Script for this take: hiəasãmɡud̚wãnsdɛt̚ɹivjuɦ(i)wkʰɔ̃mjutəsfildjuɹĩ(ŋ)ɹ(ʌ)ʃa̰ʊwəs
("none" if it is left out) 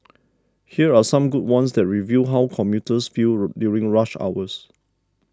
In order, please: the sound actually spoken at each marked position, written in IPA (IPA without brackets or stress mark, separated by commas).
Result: a, ŋ, a